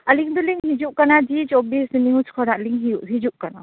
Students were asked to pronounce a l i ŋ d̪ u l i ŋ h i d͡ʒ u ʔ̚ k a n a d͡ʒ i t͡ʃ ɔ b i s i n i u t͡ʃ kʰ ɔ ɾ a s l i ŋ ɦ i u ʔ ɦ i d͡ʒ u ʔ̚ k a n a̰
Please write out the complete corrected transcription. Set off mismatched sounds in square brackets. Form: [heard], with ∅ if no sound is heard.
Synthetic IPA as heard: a l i ŋ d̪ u l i ŋ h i d͡ʒ u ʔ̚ k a n a d͡ʒ i t͡ʃ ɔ b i s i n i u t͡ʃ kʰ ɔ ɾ a [∅] l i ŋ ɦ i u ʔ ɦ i d͡ʒ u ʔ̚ k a n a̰